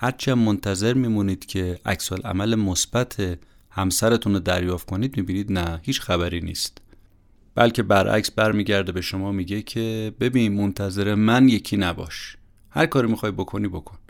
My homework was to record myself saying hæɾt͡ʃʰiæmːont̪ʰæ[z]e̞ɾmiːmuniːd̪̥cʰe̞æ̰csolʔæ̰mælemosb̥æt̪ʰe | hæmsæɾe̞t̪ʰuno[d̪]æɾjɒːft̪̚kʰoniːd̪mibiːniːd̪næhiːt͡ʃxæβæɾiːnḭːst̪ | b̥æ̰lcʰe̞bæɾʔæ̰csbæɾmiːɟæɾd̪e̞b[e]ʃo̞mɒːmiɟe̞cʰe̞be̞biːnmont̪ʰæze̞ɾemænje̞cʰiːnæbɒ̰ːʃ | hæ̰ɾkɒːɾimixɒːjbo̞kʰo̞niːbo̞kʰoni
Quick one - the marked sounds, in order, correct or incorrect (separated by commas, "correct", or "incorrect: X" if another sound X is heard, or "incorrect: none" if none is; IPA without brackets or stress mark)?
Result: correct, correct, correct